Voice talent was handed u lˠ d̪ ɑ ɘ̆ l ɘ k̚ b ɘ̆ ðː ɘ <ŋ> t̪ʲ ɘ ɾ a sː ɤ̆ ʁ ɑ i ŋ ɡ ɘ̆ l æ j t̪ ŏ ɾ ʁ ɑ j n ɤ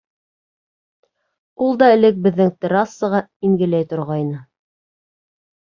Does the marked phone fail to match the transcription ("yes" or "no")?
no